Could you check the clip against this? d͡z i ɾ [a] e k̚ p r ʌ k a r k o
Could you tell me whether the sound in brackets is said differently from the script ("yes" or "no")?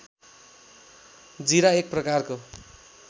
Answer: no